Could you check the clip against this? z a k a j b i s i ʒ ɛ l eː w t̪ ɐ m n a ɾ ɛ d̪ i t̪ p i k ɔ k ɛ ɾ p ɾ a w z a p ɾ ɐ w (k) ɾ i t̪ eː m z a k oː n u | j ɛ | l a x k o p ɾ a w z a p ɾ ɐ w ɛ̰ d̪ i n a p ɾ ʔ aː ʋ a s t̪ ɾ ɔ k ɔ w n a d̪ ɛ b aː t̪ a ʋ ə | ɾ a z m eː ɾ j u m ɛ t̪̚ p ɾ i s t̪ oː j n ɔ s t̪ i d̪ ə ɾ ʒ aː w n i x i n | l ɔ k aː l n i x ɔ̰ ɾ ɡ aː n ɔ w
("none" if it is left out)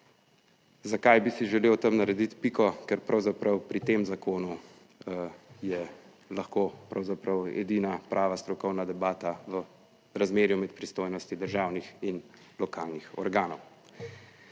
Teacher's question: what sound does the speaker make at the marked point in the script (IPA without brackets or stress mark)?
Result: p